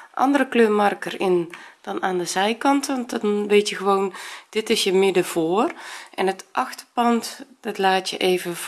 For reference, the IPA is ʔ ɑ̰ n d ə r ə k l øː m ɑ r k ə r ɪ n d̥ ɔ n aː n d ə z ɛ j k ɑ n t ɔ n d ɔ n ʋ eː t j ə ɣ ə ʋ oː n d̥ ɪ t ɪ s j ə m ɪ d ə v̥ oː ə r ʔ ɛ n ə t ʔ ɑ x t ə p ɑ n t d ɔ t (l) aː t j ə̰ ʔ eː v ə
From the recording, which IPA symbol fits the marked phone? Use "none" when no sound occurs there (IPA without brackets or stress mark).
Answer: l